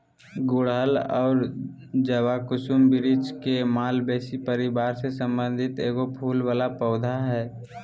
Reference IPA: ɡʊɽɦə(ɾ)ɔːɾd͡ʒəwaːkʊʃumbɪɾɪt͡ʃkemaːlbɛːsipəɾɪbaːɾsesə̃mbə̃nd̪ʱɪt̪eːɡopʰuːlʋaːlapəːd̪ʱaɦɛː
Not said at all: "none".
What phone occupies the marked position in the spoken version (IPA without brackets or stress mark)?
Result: l